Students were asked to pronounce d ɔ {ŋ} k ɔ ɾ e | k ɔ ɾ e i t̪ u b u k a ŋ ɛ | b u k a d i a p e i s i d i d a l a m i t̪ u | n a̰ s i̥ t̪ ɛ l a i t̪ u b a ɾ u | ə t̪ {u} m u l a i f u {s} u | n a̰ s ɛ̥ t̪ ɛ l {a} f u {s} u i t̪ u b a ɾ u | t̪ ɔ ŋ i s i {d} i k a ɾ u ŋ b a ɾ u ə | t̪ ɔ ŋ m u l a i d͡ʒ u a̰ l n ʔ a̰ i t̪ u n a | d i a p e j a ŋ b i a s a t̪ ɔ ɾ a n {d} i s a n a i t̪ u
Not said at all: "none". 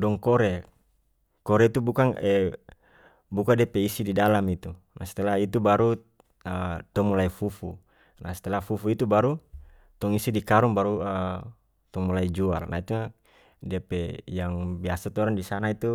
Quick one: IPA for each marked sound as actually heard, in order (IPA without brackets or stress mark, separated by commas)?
ŋ, ɔ, f, a, f, d, d